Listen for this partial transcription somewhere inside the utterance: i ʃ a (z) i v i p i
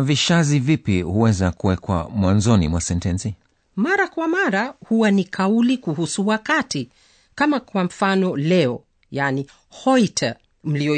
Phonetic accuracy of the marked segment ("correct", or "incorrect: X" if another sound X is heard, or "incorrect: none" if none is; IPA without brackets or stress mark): correct